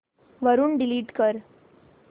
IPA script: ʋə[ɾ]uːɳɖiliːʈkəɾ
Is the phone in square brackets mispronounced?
no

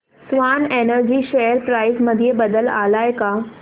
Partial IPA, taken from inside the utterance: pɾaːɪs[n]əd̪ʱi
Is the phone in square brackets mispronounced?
yes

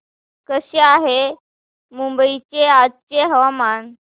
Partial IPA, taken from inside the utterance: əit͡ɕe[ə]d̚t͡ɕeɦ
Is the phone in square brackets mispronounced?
yes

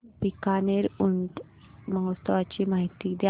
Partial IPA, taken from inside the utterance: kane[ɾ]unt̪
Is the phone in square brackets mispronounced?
no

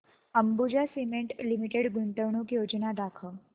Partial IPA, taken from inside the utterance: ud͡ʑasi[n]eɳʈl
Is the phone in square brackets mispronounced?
yes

